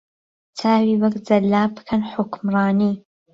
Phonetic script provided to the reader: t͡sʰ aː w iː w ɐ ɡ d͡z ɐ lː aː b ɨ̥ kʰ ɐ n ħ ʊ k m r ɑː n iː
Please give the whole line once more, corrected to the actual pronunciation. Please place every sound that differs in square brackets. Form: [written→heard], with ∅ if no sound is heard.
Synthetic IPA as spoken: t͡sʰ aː w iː w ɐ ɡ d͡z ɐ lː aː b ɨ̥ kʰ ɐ n ħ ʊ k m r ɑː n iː